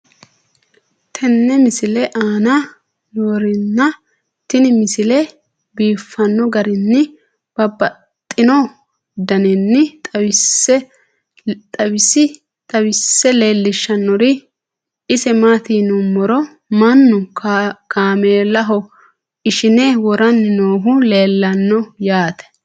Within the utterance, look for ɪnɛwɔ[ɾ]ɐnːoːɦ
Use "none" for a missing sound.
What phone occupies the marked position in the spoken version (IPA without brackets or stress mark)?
ɾ